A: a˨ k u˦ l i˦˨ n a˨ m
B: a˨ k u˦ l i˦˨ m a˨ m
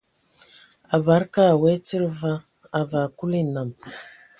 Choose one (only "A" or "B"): A